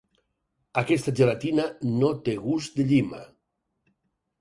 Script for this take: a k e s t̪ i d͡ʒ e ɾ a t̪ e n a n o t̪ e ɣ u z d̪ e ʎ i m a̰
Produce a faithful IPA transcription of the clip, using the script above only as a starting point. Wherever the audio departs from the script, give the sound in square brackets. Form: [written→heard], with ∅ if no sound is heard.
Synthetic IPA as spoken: a k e s t̪ [i→a] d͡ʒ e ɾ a t̪ [e→i] n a n o t̪ e ɣ u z d̪ e ʎ i m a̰